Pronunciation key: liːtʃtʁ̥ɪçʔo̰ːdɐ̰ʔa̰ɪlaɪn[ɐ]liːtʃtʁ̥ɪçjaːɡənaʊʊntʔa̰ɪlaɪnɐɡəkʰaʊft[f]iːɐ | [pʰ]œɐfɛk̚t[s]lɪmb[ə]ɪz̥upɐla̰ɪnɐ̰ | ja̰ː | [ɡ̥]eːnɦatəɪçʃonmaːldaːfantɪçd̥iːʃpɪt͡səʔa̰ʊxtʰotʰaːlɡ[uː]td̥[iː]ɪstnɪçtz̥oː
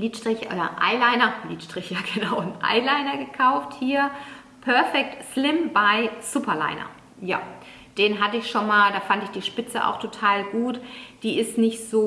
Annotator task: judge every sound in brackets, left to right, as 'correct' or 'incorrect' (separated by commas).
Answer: correct, incorrect, correct, correct, incorrect, incorrect, correct, correct